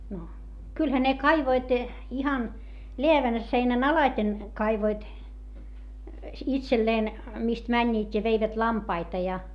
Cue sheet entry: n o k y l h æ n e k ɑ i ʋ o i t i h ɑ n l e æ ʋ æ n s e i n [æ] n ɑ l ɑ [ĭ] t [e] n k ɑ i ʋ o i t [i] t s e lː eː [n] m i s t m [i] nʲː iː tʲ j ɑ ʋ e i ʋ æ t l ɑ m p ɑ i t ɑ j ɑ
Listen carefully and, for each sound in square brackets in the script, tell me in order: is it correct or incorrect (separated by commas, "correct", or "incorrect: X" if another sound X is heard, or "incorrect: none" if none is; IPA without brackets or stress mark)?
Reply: correct, correct, correct, correct, correct, incorrect: æ